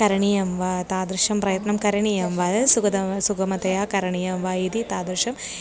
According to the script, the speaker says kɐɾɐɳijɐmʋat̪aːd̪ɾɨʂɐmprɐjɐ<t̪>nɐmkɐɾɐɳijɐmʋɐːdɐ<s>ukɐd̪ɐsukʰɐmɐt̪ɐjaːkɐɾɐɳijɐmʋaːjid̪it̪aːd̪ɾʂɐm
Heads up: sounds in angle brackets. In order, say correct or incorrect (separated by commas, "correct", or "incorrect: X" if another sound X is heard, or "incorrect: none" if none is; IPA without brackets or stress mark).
correct, correct